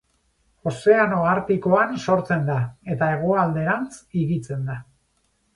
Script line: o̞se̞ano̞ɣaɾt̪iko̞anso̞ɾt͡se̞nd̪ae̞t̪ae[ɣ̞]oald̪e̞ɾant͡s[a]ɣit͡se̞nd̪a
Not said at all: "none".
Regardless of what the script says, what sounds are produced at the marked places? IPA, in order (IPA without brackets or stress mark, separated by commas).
ɣ̞, i